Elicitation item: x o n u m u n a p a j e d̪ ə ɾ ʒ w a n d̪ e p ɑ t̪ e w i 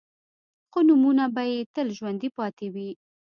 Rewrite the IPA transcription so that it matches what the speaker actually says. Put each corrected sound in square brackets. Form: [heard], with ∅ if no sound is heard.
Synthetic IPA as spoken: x o n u m u n a [b] a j e [t̪] ə [l] ʒ w a n d̪ [i] p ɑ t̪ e w i